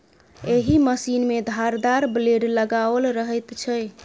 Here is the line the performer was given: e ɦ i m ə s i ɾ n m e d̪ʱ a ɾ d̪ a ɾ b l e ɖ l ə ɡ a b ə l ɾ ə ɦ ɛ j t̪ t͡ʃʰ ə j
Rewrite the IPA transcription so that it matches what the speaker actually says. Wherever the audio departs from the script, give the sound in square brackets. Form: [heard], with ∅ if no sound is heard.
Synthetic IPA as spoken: e ɦ i m ə s i [∅] n m e d̪ʱ a ɾ d̪ a ɾ b l e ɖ l ə ɡ a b ə l ɾ ə ɦ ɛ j t̪ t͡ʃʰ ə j